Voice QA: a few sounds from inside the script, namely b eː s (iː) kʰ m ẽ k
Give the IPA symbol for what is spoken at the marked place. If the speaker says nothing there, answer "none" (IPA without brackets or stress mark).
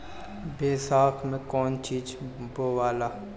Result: aː